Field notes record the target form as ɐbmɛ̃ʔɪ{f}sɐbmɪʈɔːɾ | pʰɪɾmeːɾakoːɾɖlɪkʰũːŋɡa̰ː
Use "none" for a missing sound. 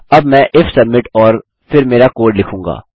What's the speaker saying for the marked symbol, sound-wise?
f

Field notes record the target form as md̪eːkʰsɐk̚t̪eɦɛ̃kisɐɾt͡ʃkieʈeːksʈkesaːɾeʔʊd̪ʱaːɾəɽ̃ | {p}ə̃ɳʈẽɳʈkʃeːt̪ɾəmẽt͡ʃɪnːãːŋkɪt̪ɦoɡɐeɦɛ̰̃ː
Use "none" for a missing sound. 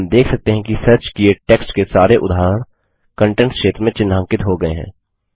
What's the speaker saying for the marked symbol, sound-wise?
k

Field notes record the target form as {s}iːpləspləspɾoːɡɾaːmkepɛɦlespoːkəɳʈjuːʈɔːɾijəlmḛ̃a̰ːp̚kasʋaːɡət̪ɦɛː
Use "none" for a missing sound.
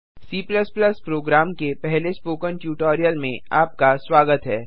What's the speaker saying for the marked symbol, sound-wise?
s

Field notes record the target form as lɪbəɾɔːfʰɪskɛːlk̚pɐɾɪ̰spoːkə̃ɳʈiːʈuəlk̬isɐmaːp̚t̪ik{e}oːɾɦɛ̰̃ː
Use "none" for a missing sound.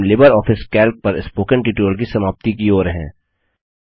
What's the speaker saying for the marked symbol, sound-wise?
i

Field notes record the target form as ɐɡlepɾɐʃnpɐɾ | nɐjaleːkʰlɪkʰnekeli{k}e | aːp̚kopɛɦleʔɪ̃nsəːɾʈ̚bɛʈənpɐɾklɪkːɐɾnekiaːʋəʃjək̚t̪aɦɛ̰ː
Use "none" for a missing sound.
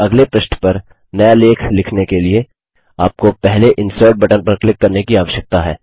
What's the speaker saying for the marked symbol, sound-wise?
none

